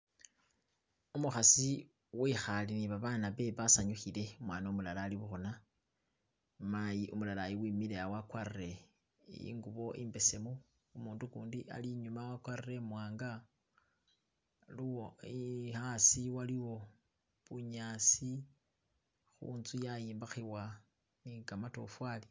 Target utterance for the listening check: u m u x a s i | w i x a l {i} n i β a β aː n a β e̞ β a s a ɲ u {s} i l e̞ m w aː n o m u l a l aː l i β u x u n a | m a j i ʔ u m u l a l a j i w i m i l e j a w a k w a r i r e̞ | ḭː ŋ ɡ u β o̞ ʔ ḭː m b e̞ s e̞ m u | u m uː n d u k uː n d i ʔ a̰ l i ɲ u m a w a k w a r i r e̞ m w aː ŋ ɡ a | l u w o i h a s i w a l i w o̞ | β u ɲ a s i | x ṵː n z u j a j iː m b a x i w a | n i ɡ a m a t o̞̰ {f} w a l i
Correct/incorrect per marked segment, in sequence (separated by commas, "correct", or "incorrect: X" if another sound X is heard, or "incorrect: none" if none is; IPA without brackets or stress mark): correct, incorrect: x, correct